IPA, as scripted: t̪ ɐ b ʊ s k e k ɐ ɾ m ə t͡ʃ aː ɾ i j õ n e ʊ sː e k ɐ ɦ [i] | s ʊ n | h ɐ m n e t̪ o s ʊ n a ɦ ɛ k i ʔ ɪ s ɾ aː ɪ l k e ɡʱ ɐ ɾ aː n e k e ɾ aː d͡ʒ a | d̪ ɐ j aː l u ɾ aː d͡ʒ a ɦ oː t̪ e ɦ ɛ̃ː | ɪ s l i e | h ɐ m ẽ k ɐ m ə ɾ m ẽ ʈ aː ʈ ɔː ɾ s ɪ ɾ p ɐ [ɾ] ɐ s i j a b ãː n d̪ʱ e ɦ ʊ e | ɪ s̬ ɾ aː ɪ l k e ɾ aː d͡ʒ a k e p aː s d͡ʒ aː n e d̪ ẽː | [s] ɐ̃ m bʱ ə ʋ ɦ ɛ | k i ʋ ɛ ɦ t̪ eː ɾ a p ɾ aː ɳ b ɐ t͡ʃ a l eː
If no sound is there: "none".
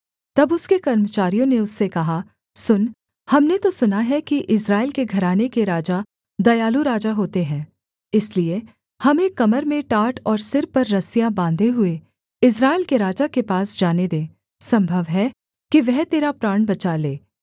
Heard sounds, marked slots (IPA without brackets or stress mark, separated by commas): a, ɾː, s